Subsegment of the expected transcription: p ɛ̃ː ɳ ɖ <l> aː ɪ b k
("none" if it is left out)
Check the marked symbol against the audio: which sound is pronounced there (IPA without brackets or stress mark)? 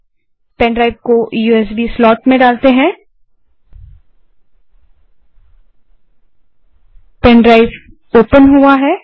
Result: ɾ